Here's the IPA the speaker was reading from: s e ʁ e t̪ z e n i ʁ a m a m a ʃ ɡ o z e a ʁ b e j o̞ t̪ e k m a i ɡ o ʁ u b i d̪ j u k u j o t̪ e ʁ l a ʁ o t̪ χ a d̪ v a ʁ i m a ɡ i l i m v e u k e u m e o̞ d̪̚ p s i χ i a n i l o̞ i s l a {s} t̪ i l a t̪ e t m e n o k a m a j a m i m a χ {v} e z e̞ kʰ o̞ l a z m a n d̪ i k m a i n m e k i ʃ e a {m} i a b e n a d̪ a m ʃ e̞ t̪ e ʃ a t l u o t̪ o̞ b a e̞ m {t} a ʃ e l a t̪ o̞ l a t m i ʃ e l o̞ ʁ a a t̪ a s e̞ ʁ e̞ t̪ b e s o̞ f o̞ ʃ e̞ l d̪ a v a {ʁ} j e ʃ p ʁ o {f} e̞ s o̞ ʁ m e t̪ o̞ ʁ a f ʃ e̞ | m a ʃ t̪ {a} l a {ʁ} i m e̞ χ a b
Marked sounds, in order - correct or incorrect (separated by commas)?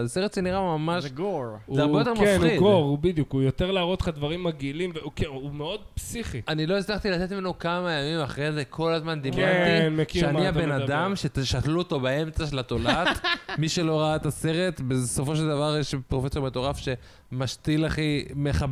incorrect, incorrect, incorrect, incorrect, correct, correct, incorrect, incorrect